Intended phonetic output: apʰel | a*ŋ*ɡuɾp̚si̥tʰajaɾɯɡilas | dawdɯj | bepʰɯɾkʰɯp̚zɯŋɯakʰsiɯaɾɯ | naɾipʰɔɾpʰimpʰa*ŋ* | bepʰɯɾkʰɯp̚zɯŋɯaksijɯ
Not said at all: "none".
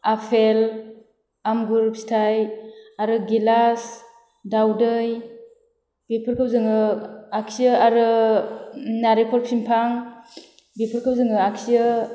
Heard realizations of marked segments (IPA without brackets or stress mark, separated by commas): m, ŋ